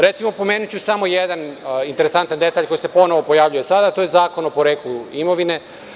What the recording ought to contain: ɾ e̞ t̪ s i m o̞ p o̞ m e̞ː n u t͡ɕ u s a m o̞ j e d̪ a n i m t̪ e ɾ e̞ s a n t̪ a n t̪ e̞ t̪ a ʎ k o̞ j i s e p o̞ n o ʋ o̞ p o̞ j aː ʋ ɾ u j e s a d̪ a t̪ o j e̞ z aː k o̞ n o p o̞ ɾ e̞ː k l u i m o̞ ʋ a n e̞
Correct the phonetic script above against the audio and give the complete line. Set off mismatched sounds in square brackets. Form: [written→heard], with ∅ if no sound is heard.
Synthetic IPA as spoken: ɾ e̞ t̪ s i m o̞ p o̞ m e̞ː n u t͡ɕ u s a m o̞ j e d̪ a n i [m→n] t̪ e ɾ e̞ s a n t̪ a n [t̪→d̪] e̞ t̪ a ʎ k o̞ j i s e p o̞ n o ʋ o̞ p o̞ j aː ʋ [ɾ→ʎ] u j e s a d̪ a t̪ o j e̞ z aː k o̞ n o p o̞ ɾ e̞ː k l u i m o̞ ʋ [a→i] n e̞